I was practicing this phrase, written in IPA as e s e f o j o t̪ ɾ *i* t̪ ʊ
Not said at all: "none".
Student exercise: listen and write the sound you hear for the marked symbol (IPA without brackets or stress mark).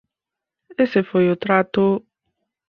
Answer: a